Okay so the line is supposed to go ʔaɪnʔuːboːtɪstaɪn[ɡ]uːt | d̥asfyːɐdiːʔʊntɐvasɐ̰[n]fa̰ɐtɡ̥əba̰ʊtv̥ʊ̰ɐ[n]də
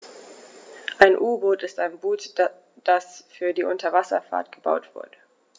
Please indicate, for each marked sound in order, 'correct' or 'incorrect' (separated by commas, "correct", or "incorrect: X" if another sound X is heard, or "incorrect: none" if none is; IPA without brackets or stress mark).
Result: incorrect: b, incorrect: none, incorrect: none